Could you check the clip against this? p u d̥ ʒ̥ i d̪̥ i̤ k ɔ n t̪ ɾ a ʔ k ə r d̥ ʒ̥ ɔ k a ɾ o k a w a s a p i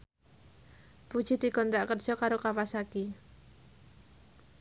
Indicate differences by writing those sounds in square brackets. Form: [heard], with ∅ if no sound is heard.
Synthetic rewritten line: p u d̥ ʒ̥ i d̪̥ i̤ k ɔ n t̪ ɾ a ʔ k ə r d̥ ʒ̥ ɔ k a ɾ o k a w a s a [k] i